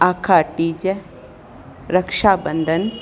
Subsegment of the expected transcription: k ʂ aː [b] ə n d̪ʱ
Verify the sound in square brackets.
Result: correct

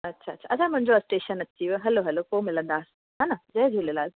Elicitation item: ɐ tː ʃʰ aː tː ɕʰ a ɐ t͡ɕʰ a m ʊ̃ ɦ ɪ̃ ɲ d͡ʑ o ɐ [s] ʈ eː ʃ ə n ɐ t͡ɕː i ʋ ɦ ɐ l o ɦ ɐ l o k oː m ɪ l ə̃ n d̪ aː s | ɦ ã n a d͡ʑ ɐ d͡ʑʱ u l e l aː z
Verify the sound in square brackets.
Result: correct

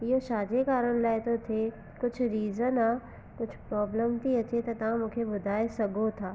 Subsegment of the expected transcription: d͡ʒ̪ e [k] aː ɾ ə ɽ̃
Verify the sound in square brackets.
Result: correct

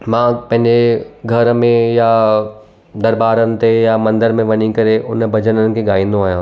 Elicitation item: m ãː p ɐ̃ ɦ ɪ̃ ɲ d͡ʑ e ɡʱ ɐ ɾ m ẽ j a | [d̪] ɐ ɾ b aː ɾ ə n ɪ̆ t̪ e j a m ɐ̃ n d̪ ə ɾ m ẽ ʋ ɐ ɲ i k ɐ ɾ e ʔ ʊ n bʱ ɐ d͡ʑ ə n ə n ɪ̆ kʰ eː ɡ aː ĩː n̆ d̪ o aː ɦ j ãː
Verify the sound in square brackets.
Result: correct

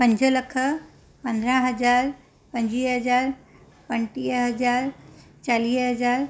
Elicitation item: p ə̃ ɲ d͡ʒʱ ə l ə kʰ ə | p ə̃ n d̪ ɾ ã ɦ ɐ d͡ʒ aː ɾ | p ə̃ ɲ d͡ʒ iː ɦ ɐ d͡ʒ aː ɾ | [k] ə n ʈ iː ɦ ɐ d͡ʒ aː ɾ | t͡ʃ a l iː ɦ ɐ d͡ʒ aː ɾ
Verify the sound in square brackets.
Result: incorrect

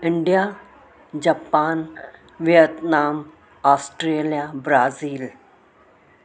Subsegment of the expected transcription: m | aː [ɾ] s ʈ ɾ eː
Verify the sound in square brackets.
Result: incorrect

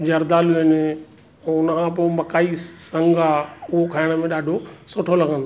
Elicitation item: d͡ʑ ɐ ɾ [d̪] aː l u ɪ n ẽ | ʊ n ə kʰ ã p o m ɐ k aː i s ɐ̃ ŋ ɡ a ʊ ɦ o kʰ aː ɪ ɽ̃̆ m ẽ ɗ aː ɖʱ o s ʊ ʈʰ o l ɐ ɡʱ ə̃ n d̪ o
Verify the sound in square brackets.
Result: correct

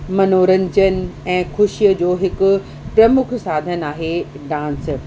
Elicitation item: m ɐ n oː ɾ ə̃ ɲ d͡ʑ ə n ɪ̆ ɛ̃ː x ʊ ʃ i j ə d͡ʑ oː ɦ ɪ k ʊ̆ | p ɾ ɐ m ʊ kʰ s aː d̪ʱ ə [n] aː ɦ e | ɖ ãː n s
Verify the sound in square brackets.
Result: correct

